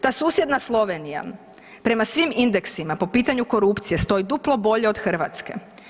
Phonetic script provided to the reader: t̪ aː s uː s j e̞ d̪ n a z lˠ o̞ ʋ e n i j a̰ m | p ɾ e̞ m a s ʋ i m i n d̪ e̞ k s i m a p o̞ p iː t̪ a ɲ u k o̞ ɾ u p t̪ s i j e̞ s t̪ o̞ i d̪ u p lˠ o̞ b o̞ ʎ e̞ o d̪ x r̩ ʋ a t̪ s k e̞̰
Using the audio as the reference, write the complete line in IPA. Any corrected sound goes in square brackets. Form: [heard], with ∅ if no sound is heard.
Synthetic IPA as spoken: t̪ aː s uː s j e̞ d̪ n a [s] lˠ o̞ ʋ e n i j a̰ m | p ɾ e̞ m a s ʋ i m i n d̪ e̞ k s i m a p o̞ p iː t̪ a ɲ u k o̞ ɾ u p t̪ s i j e̞ s t̪ o̞ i d̪ u p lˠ o̞ b o̞ ʎ e̞ o d̪ x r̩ ʋ a t̪ s k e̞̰